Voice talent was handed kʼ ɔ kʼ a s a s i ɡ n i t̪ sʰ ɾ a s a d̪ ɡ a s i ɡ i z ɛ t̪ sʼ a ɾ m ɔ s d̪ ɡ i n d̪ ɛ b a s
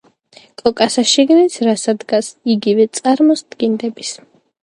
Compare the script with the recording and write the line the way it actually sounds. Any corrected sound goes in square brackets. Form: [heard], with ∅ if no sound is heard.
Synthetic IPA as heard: kʼ ɔ kʼ a s a [ʃ] i ɡ n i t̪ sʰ ɾ a s a d̪ ɡ a s i ɡ i [v] ɛ t̪ sʼ a ɾ m ɔ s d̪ ɡ i n d̪ ɛ b [i] s